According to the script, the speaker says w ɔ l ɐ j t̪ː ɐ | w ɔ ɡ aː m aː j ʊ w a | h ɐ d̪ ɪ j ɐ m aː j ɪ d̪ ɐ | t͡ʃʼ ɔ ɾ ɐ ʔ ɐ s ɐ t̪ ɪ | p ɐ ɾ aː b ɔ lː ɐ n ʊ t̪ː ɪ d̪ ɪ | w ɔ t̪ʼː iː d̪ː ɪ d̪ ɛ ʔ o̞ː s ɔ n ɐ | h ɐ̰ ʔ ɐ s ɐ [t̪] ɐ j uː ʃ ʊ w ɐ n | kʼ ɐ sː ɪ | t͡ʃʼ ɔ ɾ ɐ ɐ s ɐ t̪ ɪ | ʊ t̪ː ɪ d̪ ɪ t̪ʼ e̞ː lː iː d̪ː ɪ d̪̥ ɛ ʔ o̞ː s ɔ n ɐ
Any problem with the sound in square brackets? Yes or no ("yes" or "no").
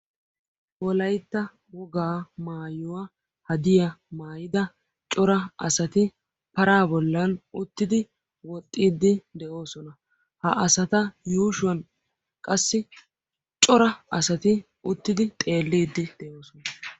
no